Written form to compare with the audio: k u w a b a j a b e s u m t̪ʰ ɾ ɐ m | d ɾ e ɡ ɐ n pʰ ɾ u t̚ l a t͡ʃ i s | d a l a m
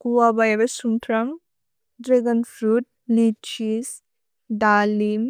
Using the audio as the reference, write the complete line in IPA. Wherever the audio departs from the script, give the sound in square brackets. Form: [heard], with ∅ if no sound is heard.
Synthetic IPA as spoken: k u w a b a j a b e s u m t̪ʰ ɾ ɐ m | d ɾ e ɡ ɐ n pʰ ɾ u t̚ l [i] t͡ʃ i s | d a l [i] m